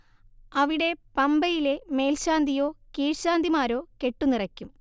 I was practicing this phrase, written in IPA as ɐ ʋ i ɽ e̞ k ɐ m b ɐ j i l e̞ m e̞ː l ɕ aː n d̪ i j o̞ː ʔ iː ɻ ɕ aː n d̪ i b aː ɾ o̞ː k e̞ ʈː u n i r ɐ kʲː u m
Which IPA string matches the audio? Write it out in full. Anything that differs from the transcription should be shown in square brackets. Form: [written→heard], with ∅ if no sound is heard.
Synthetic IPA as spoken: ɐ ʋ i ɽ e̞ [k→p] ɐ m b ɐ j i l e̞ m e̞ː l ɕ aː n d̪ i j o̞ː [ʔ→k] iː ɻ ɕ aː n d̪ i [b→m] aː ɾ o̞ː k e̞ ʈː u n i r ɐ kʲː u m

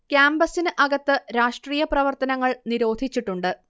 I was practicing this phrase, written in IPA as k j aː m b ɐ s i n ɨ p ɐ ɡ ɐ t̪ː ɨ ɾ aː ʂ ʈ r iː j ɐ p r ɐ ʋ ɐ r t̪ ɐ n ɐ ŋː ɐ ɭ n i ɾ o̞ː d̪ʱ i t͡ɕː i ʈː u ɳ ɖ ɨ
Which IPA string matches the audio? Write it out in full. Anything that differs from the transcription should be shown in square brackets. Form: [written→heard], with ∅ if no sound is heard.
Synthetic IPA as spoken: k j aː m b ɐ s i n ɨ [p→ʔ] ɐ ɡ ɐ t̪ː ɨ ɾ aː ʂ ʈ r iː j ɐ p r ɐ ʋ ɐ r t̪ ɐ n ɐ ŋː ɐ ɭ n i ɾ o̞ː d̪ʱ i t͡ɕː i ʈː u ɳ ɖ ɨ

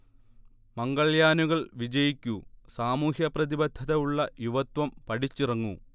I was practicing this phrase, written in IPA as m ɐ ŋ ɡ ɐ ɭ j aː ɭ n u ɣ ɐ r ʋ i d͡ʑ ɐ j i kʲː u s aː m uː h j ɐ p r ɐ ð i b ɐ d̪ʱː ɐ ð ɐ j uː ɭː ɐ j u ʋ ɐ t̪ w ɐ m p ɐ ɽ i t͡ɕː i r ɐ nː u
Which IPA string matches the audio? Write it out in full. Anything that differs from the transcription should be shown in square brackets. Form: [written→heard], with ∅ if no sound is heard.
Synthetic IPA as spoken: m ɐ ŋ ɡ ɐ ɭ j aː [ɭ→∅] n u ɣ ɐ [r→ɭ] ʋ i d͡ʑ ɐ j i kʲː u s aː m uː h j ɐ p r ɐ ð i b ɐ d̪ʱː ɐ ð ɐ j [uː→u] ɭː ɐ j u ʋ ɐ t̪ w ɐ m p ɐ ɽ i t͡ɕː i r ɐ [nː→ŋː] u

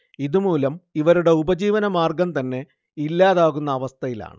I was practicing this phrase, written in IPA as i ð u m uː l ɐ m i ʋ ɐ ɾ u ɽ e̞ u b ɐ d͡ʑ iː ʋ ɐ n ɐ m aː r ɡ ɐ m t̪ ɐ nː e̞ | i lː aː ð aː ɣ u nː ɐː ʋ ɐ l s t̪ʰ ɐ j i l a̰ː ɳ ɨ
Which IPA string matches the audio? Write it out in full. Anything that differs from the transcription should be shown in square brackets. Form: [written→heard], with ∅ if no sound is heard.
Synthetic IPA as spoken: i ð u m uː l ɐ m i ʋ ɐ ɾ u ɽ e̞ u b ɐ d͡ʑ iː ʋ ɐ n ɐ m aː r ɡ ɐ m t̪ ɐ nː e̞ | i lː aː ð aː ɣ u nː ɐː ʋ ɐ [l→∅] s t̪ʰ ɐ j i l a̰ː ɳ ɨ

